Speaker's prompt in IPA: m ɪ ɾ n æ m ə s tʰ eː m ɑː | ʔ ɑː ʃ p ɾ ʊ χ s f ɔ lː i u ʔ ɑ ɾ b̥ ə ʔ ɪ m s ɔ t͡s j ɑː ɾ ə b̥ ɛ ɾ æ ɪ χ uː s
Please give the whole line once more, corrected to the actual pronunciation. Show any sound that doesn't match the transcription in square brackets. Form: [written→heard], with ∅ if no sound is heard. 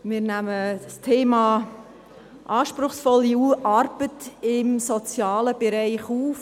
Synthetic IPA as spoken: m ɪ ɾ n æ m ə s tʰ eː m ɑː | ʔ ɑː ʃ p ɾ ʊ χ s f ɔ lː i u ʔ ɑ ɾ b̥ ə [ʔ→t] ɪ m s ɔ t͡s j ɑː [ɾ→l] ə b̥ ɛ ɾ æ ɪ χ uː [s→f]